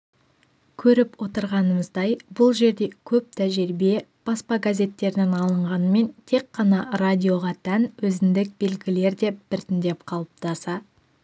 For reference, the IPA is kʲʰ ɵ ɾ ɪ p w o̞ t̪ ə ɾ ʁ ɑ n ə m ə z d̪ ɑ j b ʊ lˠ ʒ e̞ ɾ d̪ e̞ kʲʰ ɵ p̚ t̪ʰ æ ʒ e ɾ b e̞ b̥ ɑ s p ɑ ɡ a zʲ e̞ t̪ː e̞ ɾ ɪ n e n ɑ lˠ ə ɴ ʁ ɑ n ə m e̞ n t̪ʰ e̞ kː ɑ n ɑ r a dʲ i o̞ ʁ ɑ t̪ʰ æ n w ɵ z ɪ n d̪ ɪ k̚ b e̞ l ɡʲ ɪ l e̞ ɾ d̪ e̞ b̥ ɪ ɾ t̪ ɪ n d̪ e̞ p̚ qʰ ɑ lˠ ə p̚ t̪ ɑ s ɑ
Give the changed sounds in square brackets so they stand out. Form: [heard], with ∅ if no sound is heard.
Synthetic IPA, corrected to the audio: kʲʰ ɵ ɾ ɪ p w o̞ t̪ ə ɾ ʁ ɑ n ə m ə z d̪ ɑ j b ʊ lˠ ʒ e̞ ɾ d̪ e̞ kʲʰ ɵ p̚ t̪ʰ æ ʒ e ɾ b e̞ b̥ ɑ s p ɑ ɡ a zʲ e̞ t̪ː e̞ ɾ ɪ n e n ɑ lˠ ə ɴ ʁ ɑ n ə m e̞ n t̪ʰ e̞ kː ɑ n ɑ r a dʲ i o̞ ʁ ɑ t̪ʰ æ n w ɵ z ɪ n d̪ ɪ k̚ b e̞ l ɡʲ ɪ l e̞ ɾ d̪ e̞ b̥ ɪ ɾ t̪ ɪ n d̪ e̞ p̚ qʰ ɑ lˠ ə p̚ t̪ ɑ s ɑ

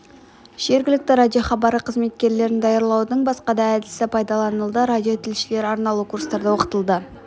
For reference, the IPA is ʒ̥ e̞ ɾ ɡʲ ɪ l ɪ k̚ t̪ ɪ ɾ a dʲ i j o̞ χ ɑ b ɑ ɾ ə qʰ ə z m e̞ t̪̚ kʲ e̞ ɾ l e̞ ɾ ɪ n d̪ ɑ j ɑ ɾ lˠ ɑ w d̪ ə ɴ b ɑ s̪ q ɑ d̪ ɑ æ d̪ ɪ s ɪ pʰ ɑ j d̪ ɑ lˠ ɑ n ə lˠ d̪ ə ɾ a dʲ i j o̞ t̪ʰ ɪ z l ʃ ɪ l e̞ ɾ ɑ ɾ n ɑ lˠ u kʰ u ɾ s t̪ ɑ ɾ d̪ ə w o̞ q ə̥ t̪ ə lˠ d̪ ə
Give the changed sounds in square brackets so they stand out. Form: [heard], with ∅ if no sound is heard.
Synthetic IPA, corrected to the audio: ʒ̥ e̞ ɾ ɡʲ ɪ l ɪ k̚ t̪ ɪ ɾ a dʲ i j o̞ χ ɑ b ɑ ɾ ə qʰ ə z m e̞ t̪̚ kʲ e̞ ɾ l e̞ ɾ ɪ n d̪ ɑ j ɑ ɾ lˠ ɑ w d̪ ə ɴ b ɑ s̪ q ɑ d̪ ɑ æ d̪ ɪ s ɪ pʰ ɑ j d̪ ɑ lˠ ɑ n ə lˠ d̪ ə ɾ a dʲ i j o̞ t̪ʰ ɪ [∅] l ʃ ɪ l e̞ ɾ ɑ ɾ n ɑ lˠ u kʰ u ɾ s t̪ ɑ ɾ d̪ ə w o̞ q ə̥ t̪ ə lˠ d̪ ə

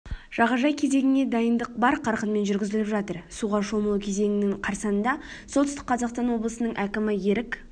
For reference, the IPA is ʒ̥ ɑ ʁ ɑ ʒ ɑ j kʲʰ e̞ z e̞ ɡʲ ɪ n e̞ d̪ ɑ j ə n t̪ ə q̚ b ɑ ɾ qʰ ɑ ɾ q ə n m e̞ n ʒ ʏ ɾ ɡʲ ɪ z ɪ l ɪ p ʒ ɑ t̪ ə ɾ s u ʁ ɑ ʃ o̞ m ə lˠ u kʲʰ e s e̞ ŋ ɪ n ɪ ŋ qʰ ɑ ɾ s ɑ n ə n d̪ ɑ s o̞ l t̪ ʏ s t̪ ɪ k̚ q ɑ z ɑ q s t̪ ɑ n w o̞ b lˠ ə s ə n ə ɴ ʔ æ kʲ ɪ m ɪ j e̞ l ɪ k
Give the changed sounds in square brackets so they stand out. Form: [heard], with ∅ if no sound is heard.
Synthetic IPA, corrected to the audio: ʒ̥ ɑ ʁ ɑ ʒ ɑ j kʲʰ e̞ z e̞ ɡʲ ɪ n e̞ d̪ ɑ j ə n [d̪] ə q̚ b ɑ ɾ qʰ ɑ ɾ q ə n m e̞ n ʒ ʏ ɾ ɡʲ ɪ z ɪ l ɪ p ʒ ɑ t̪ ə ɾ s u ʁ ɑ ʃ o̞ m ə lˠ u kʲʰ e [z] e̞ ŋ ɪ n ɪ ŋ qʰ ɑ ɾ s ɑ n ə n d̪ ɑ s o̞ l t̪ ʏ s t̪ ɪ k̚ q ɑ z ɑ q s t̪ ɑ n w o̞ b lˠ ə s ə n ə ɴ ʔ æ kʲ ɪ m ɪ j e̞ [ɾ] ɪ k

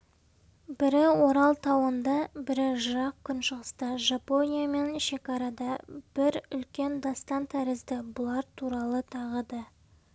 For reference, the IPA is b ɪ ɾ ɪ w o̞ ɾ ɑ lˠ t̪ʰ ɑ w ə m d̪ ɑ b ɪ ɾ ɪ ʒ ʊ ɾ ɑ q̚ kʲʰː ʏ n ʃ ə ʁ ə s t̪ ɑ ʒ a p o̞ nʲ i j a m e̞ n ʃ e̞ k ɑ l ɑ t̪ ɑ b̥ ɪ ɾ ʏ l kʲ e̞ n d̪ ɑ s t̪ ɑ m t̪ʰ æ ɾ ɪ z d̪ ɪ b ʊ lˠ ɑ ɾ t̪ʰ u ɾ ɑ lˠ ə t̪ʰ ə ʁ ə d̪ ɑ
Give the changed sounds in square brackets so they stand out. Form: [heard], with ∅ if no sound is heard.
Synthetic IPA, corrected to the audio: b ɪ ɾ ɪ w o̞ ɾ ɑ lˠ t̪ʰ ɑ w ə [n] d̪ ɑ b ɪ ɾ ɪ ʒ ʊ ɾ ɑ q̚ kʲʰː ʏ n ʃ ə ʁ ə s t̪ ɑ ʒ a p o̞ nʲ i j a m e̞ n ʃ e̞ k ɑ [ɾ] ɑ [d̪] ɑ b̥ ɪ ɾ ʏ l kʲ e̞ n d̪ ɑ s t̪ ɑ [n] t̪ʰ æ ɾ ɪ z d̪ ɪ b ʊ lˠ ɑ ɾ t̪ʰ u ɾ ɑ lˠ ə t̪ʰ [ɑ] ʁ ə d̪ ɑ

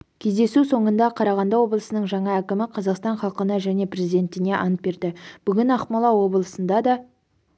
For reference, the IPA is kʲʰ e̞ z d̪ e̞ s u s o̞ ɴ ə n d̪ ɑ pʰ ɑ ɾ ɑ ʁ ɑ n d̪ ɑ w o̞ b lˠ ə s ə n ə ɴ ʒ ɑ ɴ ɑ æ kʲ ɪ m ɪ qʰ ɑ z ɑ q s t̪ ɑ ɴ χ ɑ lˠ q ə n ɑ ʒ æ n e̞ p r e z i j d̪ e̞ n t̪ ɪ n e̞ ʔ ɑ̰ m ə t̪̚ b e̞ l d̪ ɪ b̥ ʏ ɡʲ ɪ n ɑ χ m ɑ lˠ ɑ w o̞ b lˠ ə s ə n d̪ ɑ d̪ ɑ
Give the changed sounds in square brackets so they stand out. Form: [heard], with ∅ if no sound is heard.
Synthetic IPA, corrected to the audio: kʲʰ e̞ z d̪ e̞ s u s o̞ ɴ ə n d̪ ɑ [qʰ] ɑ ɾ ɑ ʁ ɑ n d̪ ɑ w o̞ b lˠ ə s ə n ə ɴ ʒ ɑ ɴ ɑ æ kʲ ɪ m ɪ qʰ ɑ z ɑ q s t̪ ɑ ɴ χ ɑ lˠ q ə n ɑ ʒ æ n e̞ p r e z i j d̪ e̞ n t̪ ɪ n e̞ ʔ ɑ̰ [n] ə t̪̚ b e̞ [ɾ] d̪ ɪ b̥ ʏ ɡʲ ɪ n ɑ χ m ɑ lˠ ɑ w o̞ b lˠ ə s ə n d̪ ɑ d̪ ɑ

